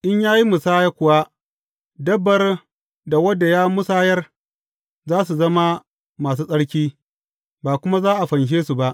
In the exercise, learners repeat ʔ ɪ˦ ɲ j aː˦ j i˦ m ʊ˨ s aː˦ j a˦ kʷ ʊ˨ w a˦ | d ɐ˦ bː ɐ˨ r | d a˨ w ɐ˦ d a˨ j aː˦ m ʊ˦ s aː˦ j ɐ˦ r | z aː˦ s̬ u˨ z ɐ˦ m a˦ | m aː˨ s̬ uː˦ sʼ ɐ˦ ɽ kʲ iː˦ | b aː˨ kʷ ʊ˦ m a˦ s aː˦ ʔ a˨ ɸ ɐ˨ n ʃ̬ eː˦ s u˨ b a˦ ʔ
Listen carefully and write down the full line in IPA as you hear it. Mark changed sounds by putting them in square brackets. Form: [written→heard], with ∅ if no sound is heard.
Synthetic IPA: ʔ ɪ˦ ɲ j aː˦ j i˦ m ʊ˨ s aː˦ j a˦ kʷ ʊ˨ w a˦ | d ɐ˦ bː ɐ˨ r | d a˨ w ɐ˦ d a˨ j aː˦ m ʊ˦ s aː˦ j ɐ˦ r | z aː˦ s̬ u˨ z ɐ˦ m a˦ | m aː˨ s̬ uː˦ sʼ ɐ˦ ɽ kʲ iː˦ | b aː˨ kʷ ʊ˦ m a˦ [s→z] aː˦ ʔ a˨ ɸ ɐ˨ n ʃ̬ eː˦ s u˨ b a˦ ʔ